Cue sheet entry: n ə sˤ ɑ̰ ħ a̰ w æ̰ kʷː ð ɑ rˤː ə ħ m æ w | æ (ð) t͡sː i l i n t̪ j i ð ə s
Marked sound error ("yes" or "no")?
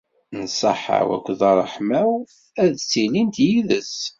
no